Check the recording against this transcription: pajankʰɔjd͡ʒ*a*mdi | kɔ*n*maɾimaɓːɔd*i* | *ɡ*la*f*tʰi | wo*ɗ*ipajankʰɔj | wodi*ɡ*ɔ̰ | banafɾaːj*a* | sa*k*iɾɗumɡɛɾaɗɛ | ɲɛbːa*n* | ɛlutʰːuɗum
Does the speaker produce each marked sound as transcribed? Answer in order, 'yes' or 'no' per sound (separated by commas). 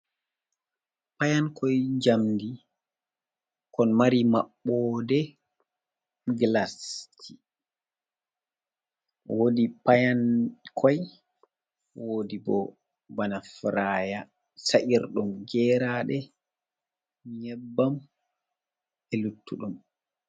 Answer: yes, yes, no, yes, no, no, no, yes, no, no